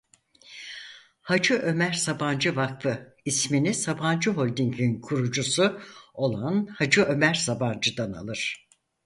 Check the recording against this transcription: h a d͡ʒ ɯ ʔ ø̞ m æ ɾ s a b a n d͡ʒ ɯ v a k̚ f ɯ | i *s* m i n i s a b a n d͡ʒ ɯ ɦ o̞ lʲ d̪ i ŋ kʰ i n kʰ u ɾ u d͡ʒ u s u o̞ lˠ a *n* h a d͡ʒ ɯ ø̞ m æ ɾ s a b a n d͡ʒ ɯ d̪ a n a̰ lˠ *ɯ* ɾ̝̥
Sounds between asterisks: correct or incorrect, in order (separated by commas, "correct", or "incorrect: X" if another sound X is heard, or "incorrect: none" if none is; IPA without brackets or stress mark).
correct, correct, correct